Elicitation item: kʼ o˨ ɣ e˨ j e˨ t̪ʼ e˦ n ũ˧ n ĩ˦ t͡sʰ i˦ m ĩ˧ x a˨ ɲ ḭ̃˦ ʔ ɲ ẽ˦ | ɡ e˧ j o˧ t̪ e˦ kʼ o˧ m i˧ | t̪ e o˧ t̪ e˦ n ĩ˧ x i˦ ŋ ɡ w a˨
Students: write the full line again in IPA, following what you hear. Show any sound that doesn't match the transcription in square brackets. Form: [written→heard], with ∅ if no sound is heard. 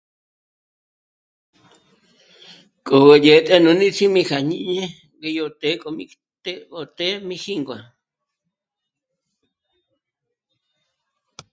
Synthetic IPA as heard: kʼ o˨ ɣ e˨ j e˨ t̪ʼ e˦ n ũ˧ n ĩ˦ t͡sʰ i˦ m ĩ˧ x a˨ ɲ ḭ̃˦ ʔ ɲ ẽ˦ | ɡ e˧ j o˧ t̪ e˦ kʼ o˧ m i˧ | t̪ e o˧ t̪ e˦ [n→m] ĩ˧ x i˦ ŋ ɡ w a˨